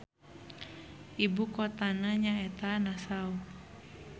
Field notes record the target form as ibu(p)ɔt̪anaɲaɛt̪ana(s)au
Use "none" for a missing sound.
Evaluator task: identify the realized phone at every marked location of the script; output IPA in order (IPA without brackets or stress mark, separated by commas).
k, s